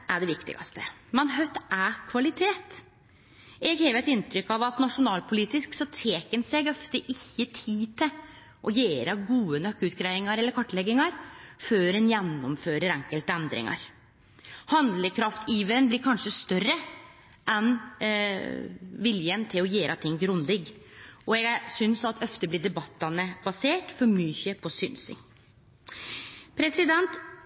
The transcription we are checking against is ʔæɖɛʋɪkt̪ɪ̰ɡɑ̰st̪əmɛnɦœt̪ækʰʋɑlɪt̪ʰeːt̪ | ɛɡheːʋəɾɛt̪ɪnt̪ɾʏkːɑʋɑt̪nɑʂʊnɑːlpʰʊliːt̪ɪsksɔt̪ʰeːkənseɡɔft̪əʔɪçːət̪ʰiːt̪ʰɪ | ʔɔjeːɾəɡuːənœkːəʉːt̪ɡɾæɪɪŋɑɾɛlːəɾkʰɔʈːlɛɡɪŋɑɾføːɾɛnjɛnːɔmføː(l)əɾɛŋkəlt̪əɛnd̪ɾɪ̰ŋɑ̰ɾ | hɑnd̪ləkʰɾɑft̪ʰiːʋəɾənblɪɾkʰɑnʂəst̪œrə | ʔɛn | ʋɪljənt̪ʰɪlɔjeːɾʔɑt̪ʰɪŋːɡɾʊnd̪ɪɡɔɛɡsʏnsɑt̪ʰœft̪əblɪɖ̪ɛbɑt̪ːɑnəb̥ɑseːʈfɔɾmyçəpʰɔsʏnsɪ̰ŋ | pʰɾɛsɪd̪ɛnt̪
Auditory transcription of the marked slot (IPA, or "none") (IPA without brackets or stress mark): ɾ